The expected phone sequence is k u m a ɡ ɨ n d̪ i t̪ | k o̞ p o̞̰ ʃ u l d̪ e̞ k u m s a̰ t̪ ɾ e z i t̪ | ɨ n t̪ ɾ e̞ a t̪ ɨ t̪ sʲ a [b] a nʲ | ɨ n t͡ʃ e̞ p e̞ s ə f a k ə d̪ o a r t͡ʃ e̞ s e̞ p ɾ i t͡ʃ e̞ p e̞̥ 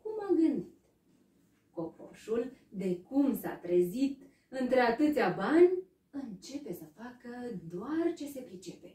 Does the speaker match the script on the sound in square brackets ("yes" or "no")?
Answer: yes